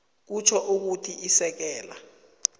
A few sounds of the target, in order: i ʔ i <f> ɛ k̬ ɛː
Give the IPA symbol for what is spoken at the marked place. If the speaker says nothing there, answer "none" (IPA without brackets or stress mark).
s